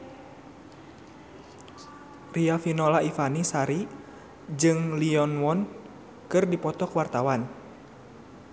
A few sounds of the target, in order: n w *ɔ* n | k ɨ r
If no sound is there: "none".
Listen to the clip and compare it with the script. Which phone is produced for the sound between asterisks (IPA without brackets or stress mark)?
ɔ